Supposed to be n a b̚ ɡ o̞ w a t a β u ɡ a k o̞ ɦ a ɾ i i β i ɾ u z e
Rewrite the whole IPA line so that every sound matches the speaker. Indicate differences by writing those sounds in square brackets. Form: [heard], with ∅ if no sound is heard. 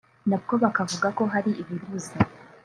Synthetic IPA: n a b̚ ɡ o̞ [β] a [k] a [v] u ɡ a k o̞ ɦ a ɾ i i β i ɾ u z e